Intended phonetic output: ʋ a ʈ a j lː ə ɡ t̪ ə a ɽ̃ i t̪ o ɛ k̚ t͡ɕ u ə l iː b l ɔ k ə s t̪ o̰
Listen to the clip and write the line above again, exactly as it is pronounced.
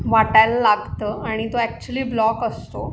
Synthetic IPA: ʋ a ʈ a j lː a ɡ t̪ ə a ɽ̃ i t̪ o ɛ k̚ t͡ɕ u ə l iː b l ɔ k ə s t̪ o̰